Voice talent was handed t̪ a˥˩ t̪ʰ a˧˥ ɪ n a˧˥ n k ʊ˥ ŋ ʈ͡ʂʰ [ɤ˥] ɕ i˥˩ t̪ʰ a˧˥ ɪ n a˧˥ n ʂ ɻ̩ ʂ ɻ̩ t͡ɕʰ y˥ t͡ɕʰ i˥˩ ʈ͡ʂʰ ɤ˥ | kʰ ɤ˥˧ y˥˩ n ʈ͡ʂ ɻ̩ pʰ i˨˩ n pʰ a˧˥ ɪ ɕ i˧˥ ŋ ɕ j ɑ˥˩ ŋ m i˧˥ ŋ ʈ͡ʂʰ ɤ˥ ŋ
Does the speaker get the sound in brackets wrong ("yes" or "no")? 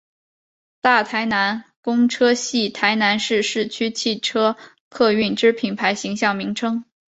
no